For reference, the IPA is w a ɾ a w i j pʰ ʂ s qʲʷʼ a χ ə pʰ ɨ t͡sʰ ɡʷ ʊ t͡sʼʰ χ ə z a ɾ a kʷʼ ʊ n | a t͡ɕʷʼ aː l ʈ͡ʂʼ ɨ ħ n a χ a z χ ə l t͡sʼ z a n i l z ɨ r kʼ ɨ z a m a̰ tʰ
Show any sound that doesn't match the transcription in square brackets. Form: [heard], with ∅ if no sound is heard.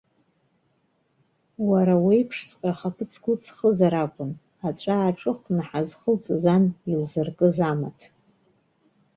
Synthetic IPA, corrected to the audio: w a ɾ a w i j pʰ ʂ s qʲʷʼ a χ [a] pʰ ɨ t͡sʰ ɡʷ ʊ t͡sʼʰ χ ə z a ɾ a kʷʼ ʊ n | a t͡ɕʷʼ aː [∅] ʈ͡ʂʼ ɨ [χ] n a [ħ] a z χ ə l t͡sʼ z a n i l z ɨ r kʼ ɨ z a m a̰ tʰ